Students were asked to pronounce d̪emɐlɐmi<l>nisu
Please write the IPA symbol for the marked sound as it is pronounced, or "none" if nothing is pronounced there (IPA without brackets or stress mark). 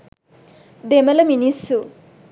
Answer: none